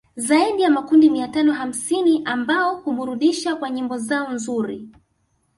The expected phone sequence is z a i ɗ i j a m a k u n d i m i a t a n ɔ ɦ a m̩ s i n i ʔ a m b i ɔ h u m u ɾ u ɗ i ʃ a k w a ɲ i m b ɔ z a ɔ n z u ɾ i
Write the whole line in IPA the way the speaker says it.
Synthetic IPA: z a i ɗ i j a m a k u n d i m i a t a n ɔ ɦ a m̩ s i n i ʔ a m b a ɔ h u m u ɾ u ɗ i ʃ a k w a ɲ i m b ɔ z a ɔ n z u ɾ i